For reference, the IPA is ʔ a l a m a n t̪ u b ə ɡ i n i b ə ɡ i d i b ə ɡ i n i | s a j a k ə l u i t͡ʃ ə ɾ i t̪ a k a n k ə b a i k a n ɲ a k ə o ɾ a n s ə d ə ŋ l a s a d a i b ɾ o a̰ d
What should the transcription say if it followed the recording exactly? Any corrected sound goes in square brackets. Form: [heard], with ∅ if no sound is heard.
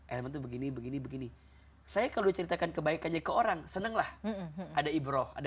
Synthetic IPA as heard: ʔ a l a m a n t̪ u b ə ɡ i n i b ə ɡ i [n] i b ə ɡ i n i | s a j a k [a] l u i t͡ʃ ə ɾ i t̪ a k a n k ə b a i k a n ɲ a k ə o ɾ a [ŋ] s ə [n] ə ŋ l a [h] a d a i b ɾ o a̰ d